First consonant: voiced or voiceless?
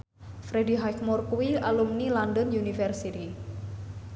voiceless